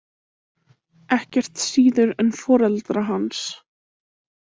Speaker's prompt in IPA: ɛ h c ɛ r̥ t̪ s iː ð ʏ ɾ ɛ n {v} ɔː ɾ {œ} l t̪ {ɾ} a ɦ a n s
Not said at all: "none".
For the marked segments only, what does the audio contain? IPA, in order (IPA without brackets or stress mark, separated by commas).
f, ɛ, ɾ